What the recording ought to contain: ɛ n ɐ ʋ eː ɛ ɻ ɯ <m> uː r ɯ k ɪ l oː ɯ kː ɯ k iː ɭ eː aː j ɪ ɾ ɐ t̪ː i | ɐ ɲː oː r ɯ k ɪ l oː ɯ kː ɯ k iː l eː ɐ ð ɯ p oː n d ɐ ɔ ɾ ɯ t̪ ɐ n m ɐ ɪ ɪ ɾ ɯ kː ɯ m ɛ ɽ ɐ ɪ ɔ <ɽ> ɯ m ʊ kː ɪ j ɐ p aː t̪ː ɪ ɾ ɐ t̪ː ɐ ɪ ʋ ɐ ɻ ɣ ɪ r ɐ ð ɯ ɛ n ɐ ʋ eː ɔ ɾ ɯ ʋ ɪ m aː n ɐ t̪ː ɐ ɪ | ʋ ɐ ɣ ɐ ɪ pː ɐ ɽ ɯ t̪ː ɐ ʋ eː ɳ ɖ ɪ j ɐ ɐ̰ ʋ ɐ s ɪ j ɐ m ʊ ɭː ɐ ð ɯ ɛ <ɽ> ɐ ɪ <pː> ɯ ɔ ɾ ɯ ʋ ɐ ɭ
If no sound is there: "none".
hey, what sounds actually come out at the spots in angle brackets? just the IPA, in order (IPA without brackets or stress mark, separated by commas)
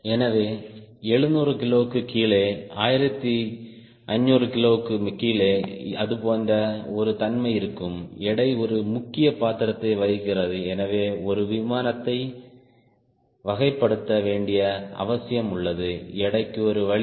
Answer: n, ɾ, ɽ, kː